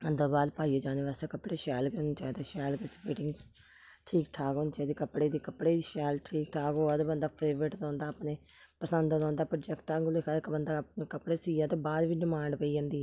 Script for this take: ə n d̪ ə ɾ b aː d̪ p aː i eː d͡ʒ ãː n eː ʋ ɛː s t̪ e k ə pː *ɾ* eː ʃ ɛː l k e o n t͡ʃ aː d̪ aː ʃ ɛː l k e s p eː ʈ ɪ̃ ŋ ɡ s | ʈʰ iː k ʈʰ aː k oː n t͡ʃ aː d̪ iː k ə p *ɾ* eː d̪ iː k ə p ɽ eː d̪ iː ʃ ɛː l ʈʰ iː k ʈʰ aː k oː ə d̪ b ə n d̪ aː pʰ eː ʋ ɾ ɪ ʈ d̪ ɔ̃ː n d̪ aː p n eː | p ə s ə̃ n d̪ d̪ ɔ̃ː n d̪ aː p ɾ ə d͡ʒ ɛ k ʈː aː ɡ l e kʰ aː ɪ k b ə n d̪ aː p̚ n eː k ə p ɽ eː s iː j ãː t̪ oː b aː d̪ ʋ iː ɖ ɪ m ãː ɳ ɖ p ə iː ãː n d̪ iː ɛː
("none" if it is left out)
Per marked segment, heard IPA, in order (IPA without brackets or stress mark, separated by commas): ɽ, ɽ